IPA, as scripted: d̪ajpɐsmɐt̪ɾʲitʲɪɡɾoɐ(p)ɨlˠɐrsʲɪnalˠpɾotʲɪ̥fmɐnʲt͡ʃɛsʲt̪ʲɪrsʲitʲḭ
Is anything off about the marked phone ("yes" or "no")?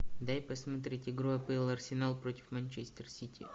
no